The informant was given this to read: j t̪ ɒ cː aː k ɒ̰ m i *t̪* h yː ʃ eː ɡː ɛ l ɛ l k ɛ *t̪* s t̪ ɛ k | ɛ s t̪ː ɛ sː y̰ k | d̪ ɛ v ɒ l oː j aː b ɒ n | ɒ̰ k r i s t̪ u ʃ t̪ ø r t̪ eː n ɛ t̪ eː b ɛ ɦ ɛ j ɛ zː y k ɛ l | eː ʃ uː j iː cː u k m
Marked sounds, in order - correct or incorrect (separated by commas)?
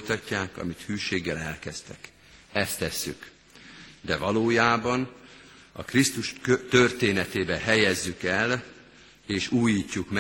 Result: correct, incorrect